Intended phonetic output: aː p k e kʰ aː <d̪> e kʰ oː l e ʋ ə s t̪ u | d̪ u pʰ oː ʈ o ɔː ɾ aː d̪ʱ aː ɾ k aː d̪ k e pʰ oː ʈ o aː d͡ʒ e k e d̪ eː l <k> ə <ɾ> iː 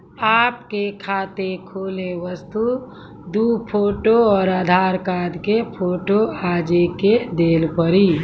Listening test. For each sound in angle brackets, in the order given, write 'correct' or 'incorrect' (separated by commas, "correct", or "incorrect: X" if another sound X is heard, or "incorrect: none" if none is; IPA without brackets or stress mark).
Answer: incorrect: t̪, incorrect: p, correct